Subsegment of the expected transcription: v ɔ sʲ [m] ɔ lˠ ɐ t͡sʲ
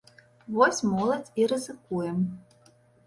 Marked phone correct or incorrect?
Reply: correct